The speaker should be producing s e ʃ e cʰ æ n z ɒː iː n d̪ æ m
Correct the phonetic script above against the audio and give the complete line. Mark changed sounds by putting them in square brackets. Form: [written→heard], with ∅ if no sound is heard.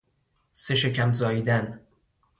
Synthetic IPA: s e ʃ e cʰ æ [n→m] z ɒː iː [n→∅] d̪ æ [m→n]